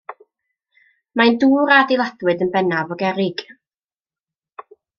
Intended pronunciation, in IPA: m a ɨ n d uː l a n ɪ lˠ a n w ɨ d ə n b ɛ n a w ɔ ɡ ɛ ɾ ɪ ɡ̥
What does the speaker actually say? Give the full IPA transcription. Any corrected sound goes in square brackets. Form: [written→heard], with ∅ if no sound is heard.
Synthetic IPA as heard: m a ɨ n d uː [l→ɾ] a [n→d] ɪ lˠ a [n→d] w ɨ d ə n b ɛ n a [w→v] ɔ ɡ ɛ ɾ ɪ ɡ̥